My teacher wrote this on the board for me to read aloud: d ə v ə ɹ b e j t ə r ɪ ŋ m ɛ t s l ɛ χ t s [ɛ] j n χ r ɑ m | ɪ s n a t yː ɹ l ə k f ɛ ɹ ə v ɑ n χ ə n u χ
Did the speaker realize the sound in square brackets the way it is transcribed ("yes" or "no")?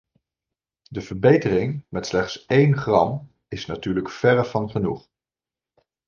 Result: no